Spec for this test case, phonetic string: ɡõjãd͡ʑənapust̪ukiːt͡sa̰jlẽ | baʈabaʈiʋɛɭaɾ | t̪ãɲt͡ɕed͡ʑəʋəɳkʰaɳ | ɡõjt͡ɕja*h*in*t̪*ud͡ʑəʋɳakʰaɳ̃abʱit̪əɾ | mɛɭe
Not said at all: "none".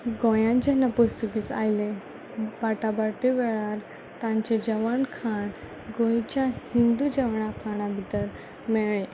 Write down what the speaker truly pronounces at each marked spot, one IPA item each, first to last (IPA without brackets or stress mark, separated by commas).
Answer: h, d̪